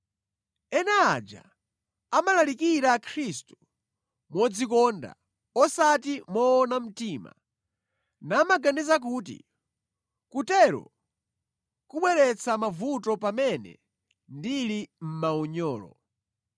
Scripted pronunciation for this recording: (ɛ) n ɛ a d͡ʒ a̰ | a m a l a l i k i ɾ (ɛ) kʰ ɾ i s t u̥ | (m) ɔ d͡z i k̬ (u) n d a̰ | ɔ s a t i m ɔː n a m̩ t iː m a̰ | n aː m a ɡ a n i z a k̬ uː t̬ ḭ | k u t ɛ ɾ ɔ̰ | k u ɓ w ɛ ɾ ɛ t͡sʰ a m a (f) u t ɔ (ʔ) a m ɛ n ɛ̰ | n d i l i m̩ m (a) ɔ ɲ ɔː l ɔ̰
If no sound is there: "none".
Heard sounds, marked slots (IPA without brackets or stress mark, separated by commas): ɛ, a, m, ɔ, v, p, a